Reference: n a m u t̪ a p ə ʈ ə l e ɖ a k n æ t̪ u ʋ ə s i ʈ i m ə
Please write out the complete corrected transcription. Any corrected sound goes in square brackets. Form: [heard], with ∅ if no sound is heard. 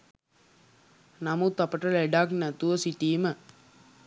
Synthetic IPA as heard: n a m u t̪ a p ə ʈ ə l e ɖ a k n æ t̪ u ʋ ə s i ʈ [iː] m ə

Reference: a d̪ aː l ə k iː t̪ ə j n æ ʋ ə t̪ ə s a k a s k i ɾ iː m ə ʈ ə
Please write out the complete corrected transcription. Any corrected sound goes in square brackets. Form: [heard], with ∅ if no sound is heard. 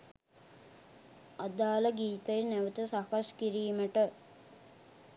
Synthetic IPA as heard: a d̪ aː l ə [ɡ] iː t̪ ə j n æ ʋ ə t̪ ə s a k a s k i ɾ iː m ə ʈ ə

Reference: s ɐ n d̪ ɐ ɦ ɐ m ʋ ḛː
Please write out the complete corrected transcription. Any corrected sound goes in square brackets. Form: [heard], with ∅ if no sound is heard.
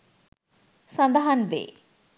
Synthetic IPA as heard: s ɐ n d̪ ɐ ɦ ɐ [n] ʋ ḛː

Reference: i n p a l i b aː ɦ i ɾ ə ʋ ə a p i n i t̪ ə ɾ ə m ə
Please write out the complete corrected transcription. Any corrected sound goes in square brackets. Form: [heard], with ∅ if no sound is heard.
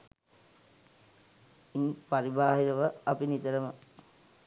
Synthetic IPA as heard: i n p a [ɾ] i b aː ɦ i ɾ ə ʋ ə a p i n i t̪ ə ɾ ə m ə

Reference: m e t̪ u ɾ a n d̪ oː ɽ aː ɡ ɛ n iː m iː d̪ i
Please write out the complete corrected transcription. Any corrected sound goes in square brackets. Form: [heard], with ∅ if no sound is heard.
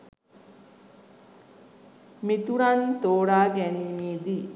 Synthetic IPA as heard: m [i] t̪ u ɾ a n [t̪] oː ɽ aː ɡ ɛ n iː m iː d̪ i

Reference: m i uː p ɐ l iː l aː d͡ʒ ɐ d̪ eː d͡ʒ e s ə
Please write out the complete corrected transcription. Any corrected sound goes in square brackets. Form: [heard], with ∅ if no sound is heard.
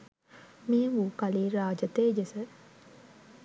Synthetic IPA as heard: m i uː [k] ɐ l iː [ɾ] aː d͡ʒ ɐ [t̪] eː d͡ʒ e s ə

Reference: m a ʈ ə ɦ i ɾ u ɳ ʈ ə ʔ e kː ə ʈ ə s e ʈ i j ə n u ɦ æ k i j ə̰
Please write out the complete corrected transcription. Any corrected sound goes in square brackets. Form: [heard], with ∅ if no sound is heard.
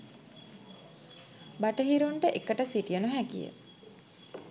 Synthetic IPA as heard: [b] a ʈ ə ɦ i ɾ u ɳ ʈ ə ʔ e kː ə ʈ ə s [i] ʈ i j ə n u ɦ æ k i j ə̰

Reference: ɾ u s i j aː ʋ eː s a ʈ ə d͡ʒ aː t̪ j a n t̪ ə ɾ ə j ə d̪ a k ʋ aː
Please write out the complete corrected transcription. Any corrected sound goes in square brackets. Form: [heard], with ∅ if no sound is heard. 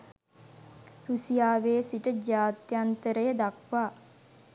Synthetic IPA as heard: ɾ u s i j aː ʋ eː s [i] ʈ ə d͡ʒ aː t̪ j a n t̪ ə ɾ ə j ə d̪ a k ʋ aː

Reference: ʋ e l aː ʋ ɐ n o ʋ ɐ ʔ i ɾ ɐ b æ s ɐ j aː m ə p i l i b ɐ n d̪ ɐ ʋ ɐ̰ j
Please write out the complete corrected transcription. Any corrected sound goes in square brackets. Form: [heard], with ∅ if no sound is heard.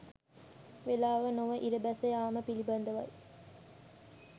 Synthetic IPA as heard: ʋ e l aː ʋ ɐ n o ʋ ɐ ʔ i ɾ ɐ b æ s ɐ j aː m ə p i l i b ɐ n d̪ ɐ ʋ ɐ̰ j

